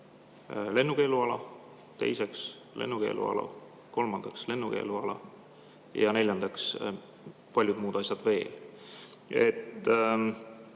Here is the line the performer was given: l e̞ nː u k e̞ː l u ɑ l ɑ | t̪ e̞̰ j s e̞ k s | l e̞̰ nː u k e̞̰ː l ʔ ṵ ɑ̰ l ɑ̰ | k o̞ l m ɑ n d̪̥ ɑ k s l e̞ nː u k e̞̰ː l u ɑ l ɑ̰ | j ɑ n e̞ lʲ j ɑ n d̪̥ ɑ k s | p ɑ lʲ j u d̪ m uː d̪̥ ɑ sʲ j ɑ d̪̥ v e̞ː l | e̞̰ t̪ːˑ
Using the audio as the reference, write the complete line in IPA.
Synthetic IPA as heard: l e̞ nː u k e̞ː l u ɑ l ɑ | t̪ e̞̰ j s e̞ k s | l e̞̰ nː u k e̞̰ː l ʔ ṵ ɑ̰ l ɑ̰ | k o̞ l m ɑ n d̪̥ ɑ k s l e̞ nː u k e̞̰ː l u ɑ l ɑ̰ | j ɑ n e̞ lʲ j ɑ n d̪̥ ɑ k s | p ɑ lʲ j u d̪ m uː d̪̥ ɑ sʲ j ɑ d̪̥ v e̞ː l | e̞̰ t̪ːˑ

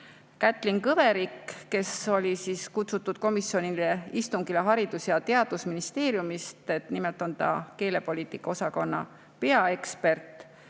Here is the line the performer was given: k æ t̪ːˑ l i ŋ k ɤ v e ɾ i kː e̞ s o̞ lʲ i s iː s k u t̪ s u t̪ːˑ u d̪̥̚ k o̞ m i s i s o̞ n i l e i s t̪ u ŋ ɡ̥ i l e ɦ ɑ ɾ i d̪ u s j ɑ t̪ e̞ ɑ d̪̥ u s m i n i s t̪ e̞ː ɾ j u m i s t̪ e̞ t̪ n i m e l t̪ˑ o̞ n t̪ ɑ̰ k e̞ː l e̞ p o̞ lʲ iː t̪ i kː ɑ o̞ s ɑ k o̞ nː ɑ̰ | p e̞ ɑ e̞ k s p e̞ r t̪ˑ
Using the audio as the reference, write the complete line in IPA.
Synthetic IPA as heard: k æ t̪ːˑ l i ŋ k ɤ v e ɾ i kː e̞ s o̞ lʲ i s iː s k u t̪ s u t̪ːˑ u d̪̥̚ k o̞ m i s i o̞ n i l e i s t̪ u ŋ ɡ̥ i l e ɦ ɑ ɾ i d̪ u s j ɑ t̪ e̞ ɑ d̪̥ u s m i n i s t̪ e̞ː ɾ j u m i s t̪ e̞ t̪ n i m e l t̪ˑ o̞ n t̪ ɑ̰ k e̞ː l e̞ p o̞ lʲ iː t̪ i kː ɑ o̞ s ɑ k o̞ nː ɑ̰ | p e̞ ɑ e̞ k s p e̞ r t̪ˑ

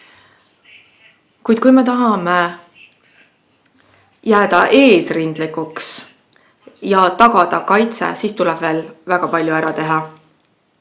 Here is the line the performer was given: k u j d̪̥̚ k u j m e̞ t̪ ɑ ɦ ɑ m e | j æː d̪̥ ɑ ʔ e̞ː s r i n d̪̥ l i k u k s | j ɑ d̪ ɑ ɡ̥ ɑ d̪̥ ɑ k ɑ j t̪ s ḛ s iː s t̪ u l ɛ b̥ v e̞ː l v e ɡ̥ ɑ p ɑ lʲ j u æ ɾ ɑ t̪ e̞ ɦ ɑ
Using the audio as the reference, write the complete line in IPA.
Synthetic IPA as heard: k u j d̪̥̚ k u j m e̞ t̪ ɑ ɦ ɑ m e | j æː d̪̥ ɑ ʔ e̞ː s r i n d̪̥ l i k u k s | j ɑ t̪ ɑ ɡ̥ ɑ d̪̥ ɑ k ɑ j t̪ s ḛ s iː s t̪ u l ɛ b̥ v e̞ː l v æ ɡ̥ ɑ p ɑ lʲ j u æ ɾ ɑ t̪ e̞ ɦ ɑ

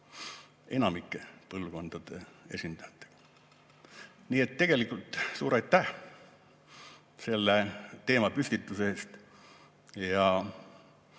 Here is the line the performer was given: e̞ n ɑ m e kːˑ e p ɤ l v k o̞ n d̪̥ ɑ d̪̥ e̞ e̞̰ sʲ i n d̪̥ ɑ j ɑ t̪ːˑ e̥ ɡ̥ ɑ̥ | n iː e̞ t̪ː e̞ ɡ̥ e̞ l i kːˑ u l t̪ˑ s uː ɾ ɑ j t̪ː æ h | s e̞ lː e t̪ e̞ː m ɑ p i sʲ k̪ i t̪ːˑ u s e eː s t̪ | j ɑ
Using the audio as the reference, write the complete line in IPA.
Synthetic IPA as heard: e̞ n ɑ m i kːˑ e p ɤ l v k o̞ n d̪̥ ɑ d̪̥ e̞ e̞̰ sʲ i n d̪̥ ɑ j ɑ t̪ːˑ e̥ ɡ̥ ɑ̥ | n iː e̞ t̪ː e̞ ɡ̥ e̞ l i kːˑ u l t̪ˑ s uː ɾ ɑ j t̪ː æ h | s e̞ lː e t̪ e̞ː m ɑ p y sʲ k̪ i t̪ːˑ u s e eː s t̪ | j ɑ

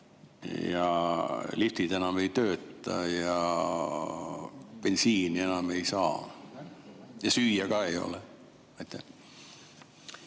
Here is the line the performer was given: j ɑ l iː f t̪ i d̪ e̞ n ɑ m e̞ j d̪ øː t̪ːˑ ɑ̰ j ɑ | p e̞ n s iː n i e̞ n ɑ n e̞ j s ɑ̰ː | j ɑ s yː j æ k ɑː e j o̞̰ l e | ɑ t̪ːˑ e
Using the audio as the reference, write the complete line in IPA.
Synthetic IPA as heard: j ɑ l i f t̪ i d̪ e̞ n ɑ m e̞ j t̪ øː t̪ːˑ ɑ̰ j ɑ | p e̞ n s iː n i e̞ n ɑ m e̞ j s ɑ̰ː | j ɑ s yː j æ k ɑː e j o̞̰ l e | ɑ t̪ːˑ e

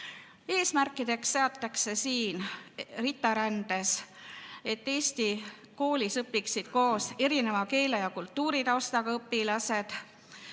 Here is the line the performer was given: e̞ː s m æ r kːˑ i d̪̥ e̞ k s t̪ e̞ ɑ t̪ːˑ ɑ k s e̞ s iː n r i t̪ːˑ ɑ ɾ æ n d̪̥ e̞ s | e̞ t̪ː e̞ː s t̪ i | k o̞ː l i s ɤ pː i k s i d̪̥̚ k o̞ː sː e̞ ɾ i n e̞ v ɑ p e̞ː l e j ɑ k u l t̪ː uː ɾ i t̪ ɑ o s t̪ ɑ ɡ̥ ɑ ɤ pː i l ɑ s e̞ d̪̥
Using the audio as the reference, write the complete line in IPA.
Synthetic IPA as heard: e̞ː s m æ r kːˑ i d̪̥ e̞ k s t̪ e̞ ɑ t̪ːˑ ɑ k s e̞ s iː n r i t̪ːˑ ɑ ɾ æ n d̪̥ e̞ s | e̞ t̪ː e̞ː s t̪ i | k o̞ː l i s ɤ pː i k s i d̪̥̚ k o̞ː s e̞ ɾ i n e̞ v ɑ k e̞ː l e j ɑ k u l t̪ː uː ɾ i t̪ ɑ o s t̪ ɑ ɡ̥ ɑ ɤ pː i l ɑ s e̞ d̪̥

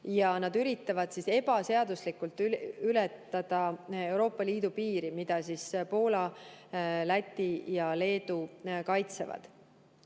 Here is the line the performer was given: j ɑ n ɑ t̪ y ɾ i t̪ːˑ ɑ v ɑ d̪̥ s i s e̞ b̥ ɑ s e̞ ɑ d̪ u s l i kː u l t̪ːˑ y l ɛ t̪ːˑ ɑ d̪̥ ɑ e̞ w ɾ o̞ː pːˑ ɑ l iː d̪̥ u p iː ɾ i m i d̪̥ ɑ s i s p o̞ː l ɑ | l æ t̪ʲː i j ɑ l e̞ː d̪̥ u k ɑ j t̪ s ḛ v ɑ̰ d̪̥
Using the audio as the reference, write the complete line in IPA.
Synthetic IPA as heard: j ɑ n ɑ d̪ y ɾ i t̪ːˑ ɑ v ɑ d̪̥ s i s e̞ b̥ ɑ s e̞ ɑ d̪ u s l i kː u l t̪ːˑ y l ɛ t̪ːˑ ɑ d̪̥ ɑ e̞ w ɾ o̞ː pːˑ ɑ l iː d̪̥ u p iː ɾ i m i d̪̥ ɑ s i s p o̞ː l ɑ | l æ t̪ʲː i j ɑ l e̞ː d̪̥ u k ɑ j t̪ s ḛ v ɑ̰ d̪̥

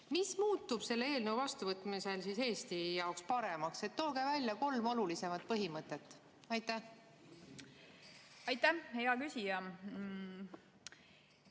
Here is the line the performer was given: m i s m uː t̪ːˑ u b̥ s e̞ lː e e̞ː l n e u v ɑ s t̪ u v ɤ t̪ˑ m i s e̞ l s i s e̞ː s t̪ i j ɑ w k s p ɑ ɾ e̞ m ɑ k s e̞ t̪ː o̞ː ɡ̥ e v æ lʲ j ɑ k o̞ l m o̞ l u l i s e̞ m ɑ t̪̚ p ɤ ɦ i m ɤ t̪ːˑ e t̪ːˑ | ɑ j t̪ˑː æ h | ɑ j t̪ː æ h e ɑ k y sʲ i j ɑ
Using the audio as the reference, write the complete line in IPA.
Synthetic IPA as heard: m i s m uː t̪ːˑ u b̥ s e̞ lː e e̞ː l n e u v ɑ s t̪ u v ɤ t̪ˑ m i s e̞ l s i s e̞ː s t̪ i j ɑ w k s p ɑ ɾ e̞ m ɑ k s e̞ t̪ː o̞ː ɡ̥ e v æ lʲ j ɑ k o̞ l m o̞ l u l i s e̞ m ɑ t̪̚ p ɤ ɦ i m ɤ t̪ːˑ e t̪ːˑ | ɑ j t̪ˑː æ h | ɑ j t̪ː æ h e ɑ k y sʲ i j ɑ

